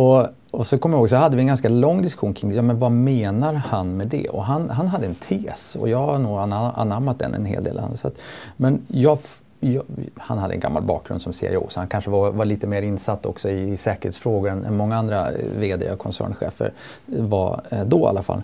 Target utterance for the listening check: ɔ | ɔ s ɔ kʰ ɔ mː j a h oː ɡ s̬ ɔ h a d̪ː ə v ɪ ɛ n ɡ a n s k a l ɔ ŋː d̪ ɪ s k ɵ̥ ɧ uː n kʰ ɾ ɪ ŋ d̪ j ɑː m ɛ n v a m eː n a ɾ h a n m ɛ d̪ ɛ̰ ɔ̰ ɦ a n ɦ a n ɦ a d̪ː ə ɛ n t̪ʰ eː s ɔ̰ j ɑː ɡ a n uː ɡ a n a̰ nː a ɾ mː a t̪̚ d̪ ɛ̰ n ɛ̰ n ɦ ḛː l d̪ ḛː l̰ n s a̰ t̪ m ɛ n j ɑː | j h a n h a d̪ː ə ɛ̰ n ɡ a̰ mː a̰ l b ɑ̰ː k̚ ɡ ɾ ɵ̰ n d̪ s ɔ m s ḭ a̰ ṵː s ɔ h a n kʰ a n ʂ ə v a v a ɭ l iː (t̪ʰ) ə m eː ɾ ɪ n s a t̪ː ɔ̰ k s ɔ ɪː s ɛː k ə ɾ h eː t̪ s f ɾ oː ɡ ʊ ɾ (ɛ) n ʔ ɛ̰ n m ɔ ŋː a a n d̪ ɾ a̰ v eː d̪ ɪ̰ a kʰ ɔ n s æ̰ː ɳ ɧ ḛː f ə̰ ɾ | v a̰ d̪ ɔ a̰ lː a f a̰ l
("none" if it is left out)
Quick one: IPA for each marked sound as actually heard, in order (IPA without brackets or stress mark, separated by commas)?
t̪, ɛ